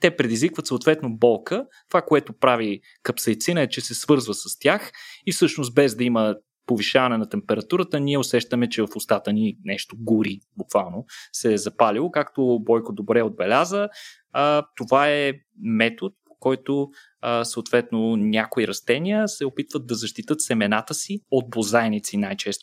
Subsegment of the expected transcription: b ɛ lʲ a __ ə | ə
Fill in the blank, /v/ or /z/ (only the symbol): z